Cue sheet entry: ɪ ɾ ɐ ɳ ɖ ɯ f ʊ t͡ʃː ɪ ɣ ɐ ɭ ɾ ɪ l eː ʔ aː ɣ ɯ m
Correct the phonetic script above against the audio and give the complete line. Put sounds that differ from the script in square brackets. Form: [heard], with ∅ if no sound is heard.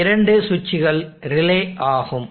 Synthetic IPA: ɪ ɾ ɐ ɳ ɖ ɯ [s] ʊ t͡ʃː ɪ ɣ ɐ ɭ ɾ ɪ l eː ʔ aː ɣ ɯ m